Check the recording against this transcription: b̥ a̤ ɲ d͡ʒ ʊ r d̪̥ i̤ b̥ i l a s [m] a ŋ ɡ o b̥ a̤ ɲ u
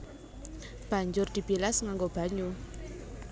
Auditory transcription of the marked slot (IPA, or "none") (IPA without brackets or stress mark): ŋ